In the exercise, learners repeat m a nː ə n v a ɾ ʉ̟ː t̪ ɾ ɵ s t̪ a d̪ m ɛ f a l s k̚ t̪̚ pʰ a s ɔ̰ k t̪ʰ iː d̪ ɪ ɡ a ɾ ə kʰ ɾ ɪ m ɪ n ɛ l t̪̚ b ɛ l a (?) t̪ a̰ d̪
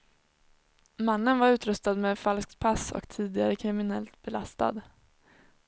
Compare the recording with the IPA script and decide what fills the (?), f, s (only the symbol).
s